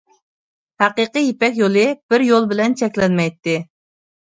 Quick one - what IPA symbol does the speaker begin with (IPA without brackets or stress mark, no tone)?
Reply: h